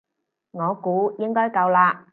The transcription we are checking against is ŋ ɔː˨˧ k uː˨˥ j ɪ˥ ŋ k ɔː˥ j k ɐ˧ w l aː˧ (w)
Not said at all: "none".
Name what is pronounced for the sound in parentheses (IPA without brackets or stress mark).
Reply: none